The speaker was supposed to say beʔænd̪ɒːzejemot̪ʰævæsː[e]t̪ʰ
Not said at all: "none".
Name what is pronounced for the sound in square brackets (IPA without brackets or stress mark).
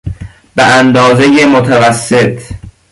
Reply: e